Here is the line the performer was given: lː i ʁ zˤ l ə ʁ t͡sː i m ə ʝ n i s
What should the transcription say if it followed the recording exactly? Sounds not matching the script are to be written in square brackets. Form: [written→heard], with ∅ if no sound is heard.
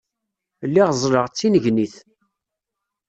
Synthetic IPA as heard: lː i ʁ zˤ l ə ʁ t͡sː i [m→n] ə ʝ n i [s→θ]